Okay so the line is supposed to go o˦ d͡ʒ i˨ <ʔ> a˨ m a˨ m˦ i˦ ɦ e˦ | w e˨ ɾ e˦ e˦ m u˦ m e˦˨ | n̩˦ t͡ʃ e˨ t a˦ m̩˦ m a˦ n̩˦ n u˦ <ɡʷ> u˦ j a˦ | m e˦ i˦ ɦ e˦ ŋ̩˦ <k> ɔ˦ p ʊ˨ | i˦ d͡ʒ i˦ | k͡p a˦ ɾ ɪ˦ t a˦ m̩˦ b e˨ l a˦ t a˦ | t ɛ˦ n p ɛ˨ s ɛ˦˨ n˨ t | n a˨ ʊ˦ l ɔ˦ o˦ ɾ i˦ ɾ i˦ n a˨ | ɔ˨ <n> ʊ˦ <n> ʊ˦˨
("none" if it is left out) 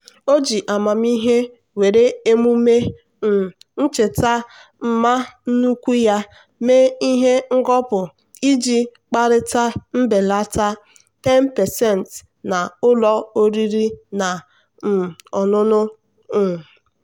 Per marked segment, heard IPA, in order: ʔ, kʷ, ɡ, n, n

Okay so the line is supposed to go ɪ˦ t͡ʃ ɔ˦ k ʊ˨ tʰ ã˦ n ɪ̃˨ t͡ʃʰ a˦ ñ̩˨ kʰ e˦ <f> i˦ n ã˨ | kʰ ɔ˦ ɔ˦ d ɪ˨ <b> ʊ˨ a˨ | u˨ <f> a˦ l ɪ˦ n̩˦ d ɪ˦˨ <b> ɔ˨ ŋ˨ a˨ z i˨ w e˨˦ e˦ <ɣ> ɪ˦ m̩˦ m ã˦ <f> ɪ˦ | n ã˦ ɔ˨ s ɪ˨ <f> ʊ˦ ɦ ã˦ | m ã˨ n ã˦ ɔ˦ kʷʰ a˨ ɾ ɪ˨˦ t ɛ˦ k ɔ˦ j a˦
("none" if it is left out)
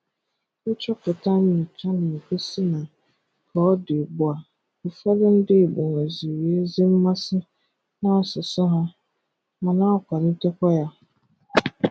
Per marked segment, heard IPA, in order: s, b, f, b, z, s, s

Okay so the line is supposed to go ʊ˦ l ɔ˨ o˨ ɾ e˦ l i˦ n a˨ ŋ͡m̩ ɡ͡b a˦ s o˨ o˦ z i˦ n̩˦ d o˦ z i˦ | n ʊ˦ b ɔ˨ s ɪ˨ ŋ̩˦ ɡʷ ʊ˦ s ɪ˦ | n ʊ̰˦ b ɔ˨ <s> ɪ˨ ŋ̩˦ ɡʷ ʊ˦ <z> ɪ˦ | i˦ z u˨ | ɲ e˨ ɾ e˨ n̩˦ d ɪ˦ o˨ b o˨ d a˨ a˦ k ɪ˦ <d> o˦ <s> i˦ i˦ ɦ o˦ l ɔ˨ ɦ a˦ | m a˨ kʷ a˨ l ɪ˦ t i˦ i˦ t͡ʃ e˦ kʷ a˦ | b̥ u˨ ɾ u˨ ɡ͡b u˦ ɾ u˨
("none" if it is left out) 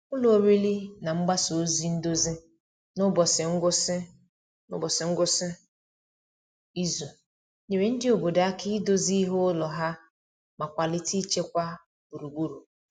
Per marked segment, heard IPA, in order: s, s, d, z

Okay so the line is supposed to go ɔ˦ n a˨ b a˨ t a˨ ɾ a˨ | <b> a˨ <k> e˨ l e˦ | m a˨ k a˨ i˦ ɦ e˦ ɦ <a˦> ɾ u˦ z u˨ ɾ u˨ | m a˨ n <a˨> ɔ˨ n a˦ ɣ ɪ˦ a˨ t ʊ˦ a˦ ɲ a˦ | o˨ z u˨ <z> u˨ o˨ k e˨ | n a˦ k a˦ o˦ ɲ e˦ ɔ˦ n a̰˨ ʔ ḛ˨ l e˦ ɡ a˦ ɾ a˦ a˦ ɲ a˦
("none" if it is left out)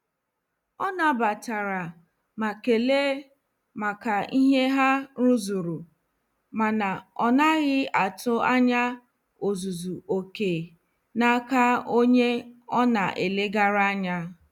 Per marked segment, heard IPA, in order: m, k, a˦, a˨, z

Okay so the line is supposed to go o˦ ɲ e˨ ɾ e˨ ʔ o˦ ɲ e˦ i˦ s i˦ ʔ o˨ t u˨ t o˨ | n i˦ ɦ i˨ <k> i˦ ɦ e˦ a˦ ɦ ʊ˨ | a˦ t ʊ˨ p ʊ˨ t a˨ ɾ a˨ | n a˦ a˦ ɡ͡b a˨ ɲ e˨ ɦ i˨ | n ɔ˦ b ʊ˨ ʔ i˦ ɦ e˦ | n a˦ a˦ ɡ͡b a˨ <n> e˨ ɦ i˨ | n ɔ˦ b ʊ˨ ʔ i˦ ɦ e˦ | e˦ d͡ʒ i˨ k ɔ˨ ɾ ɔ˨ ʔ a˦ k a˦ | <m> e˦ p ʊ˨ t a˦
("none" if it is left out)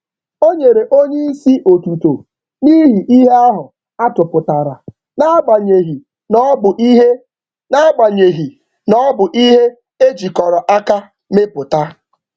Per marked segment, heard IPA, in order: ʔ, ɲ, m

